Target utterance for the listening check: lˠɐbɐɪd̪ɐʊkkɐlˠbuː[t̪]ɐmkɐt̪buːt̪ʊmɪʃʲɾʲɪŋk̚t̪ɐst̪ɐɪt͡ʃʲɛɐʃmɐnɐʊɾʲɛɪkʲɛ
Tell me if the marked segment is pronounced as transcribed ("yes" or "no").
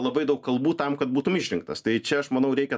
yes